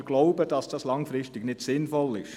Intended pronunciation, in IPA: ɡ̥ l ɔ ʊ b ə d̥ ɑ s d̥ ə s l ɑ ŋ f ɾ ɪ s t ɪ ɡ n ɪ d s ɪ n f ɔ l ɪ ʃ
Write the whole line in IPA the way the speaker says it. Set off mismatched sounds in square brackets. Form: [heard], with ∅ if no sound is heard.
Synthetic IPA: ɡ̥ l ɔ ʊ b ə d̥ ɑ s d̥ [ɑ] s l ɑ ŋ f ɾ ɪ s t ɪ ɡ n ɪ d s ɪ n f ɔ l ɪ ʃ